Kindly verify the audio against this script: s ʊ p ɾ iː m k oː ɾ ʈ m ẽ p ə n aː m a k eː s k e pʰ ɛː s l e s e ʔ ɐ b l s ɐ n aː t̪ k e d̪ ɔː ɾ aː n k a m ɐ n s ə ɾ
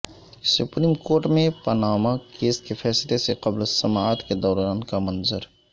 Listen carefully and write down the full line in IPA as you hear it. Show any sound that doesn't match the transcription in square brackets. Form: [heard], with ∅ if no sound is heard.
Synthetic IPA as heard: s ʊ p ɾ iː m k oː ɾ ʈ m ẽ p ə n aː m a k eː s k e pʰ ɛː s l e s e [q] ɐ b l s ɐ [m] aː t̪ k e d̪ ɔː ɾ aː n k a m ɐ n [z] ə ɾ